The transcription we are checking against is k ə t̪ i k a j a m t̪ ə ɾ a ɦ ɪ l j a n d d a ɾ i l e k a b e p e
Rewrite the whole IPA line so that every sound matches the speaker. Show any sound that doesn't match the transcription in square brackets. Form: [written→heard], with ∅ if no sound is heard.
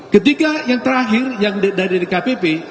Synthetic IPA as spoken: k ə t̪ i k a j a [m→ŋ] t̪ ə ɾ a ɦ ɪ [l→r] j a [n→ŋ] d d a ɾ i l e k a [b→p] e p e